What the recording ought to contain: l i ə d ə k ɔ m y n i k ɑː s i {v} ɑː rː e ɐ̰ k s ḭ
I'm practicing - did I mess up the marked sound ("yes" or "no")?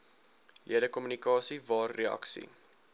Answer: no